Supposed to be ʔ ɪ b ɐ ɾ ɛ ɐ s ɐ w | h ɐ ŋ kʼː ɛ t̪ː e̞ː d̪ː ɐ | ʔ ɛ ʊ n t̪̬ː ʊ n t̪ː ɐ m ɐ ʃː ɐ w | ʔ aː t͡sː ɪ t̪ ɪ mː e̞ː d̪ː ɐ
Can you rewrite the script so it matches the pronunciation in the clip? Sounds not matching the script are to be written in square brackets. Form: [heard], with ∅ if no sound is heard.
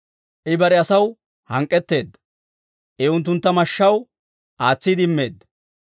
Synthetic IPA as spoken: ʔ ɪ b ɐ ɾ ɛ ɐ s ɐ w | h ɐ ŋ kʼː ɛ t̪ː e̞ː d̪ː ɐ | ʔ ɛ ʊ n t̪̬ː ʊ n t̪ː ɐ m ɐ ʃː ɐ w | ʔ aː t͡sː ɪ [d̪] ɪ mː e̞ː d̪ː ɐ